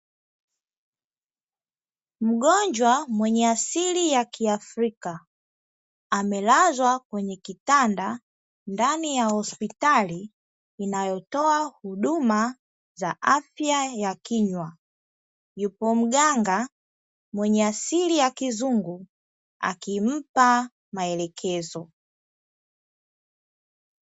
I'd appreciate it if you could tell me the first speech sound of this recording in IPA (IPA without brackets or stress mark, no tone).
m̩